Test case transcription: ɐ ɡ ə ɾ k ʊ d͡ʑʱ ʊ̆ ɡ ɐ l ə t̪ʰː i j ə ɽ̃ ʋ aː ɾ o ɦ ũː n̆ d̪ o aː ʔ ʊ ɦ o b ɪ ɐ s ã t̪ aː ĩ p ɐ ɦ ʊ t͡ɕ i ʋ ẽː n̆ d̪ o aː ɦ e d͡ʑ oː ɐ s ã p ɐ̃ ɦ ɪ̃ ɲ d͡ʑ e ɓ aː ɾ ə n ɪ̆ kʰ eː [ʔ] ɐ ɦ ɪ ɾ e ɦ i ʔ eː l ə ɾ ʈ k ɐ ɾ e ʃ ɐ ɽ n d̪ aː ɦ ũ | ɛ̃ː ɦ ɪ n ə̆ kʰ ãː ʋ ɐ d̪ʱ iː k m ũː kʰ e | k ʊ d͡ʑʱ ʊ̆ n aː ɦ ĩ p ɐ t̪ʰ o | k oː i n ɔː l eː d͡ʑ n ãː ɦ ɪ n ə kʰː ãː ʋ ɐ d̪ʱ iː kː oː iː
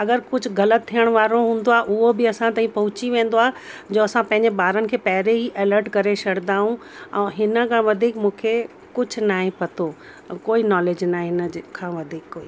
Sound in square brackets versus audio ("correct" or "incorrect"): incorrect